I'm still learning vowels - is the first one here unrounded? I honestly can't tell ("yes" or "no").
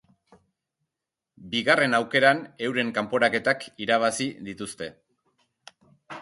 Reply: yes